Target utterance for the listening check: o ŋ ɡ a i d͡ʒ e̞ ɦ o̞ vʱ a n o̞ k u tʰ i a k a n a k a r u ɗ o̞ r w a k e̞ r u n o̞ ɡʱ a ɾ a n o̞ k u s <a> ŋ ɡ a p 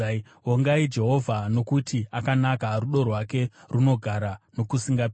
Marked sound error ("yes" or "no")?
yes